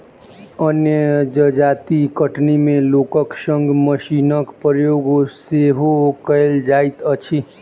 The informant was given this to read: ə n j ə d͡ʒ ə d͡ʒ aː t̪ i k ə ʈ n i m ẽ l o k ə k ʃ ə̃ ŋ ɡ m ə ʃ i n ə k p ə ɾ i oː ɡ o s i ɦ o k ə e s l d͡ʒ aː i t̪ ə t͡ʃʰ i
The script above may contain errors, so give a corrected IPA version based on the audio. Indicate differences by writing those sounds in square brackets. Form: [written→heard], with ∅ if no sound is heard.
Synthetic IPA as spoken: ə n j ə d͡ʒ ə d͡ʒ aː t̪ i k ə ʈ n i m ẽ l o k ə k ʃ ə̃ ŋ ɡ m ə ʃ i n ə k p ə ɾ [i→j] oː ɡ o s [i→e] ɦ o k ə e [s→∅] l d͡ʒ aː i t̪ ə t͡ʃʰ i